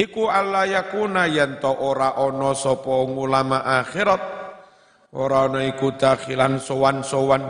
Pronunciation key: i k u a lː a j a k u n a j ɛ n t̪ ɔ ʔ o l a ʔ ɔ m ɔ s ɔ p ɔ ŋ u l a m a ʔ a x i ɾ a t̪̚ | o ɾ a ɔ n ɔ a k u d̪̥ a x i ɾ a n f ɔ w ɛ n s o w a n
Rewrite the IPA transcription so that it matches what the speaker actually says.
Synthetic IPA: i k u a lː a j a k u n a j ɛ n t̪ ɔ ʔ o ɾ a ʔ ɔ n ɔ s ɔ p ɔ ŋ u l a m a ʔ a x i ɾ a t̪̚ | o ɾ a ɔ n ɔ i k u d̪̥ a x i l a n s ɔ w a n s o w a n